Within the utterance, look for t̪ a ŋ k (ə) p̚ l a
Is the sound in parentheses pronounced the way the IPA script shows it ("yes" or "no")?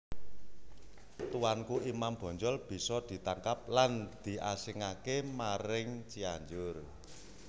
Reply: no